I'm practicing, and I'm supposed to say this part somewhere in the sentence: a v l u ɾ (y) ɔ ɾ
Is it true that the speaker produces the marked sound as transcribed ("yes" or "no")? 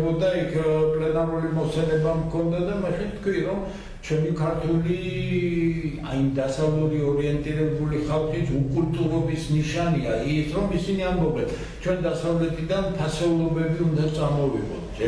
no